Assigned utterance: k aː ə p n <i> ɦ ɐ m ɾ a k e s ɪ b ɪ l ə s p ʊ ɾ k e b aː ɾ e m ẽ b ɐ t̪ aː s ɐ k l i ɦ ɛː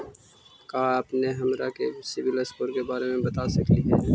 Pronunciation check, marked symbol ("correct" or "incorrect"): incorrect